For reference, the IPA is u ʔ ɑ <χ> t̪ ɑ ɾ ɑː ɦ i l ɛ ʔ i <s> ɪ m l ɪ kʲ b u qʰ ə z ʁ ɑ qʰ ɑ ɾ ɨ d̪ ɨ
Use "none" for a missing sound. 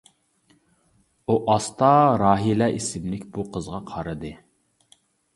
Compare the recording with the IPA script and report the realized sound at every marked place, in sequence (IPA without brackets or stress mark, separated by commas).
s, s